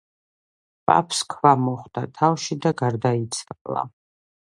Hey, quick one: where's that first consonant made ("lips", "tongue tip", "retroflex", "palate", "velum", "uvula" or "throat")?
lips